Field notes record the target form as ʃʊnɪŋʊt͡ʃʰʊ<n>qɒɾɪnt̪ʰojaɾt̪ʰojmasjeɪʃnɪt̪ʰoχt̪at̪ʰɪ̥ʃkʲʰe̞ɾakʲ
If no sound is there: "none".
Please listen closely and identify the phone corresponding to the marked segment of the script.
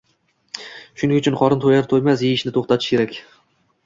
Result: n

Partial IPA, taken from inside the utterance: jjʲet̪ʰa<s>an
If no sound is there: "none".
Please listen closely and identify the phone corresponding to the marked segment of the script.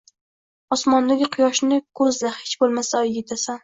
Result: s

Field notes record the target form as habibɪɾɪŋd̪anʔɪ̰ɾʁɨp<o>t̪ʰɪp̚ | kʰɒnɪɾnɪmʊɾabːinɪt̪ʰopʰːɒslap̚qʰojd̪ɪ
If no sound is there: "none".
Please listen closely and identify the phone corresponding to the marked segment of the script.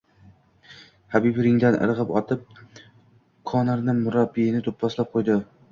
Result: ɒ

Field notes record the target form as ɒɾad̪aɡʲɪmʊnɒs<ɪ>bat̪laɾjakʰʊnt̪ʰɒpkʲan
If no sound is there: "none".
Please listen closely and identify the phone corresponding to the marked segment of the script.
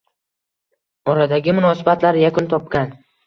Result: ɪ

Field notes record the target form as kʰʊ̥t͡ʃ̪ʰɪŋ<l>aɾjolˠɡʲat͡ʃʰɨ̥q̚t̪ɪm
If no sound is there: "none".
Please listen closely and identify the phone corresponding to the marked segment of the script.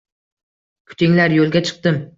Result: l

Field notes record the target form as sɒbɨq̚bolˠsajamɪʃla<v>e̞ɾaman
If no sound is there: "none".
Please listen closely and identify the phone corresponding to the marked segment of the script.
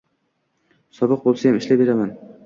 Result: b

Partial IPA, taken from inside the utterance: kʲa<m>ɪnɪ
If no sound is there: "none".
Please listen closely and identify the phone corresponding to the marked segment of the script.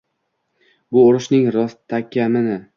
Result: m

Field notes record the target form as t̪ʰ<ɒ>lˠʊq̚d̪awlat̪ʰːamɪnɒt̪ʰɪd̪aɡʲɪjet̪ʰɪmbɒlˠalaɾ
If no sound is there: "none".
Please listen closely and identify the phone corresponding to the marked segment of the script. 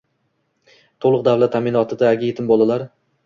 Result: o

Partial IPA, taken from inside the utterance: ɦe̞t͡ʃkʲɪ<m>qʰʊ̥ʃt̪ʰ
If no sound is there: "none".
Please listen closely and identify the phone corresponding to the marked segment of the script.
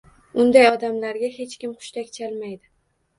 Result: m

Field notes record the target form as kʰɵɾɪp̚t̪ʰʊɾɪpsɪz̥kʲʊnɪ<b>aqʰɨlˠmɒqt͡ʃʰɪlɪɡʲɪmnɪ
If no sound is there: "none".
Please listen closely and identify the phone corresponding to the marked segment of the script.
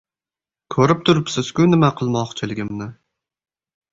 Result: m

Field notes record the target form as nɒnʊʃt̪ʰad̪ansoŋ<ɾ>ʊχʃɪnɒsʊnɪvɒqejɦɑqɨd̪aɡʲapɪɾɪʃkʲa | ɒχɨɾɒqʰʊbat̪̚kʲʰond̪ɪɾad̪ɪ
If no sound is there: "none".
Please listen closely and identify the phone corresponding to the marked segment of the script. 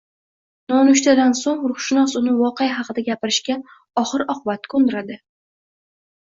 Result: ɾ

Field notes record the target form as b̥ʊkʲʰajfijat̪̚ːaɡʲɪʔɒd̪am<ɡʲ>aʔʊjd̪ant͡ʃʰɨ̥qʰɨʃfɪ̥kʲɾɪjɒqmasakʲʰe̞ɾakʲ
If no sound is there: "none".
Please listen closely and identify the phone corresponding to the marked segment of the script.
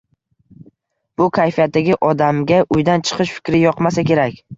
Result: ɡʲ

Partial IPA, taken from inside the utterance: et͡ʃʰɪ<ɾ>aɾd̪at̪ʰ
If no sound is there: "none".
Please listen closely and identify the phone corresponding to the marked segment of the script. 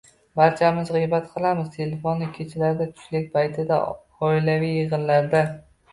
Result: l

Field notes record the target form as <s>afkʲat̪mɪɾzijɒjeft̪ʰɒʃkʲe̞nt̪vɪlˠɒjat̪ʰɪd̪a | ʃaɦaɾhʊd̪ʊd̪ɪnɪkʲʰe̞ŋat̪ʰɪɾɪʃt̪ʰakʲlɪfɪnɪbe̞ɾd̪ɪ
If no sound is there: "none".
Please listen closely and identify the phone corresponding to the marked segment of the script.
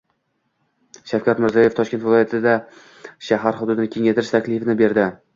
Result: ʃ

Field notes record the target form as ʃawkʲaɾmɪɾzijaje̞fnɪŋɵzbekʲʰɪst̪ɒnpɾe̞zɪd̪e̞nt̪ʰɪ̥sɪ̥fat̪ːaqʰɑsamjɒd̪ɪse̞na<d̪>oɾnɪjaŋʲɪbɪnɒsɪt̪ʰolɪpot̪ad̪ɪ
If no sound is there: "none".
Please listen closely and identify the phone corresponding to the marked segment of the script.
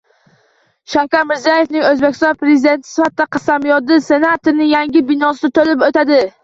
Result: t̪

